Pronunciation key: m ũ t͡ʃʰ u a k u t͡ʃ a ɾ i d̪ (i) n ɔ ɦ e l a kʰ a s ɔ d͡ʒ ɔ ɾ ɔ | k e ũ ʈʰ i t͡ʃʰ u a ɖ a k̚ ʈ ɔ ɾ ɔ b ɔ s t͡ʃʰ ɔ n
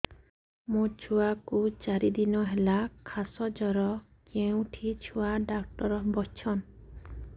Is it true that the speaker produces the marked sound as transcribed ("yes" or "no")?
yes